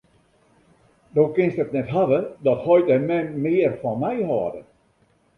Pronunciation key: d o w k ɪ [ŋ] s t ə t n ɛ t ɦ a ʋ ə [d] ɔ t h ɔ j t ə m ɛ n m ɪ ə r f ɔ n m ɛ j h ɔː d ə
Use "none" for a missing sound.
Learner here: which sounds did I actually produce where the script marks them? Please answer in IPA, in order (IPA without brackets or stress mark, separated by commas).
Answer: n, d